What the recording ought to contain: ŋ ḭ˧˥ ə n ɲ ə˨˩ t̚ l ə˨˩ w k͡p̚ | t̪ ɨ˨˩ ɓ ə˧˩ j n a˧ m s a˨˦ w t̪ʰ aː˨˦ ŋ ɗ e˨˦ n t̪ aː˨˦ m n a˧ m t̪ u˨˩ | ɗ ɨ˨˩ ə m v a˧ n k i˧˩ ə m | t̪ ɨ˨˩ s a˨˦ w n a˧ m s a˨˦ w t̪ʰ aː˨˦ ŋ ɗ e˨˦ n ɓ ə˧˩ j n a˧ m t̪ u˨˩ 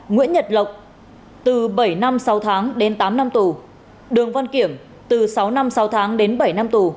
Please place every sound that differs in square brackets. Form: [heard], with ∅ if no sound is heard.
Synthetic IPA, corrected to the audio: ŋ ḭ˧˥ ə n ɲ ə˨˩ t̚ l ə˨˩ w k͡p̚ | t̪ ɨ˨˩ ɓ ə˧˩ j n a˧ m s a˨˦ w t̪ʰ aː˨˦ ŋ ɗ e˨˦ n t̪ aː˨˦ m n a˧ m t̪ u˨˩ | ɗ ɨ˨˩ ə [ŋ] v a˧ n k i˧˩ ə m | t̪ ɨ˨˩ s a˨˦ w n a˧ m s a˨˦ w t̪ʰ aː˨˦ ŋ ɗ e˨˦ n ɓ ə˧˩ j n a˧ m t̪ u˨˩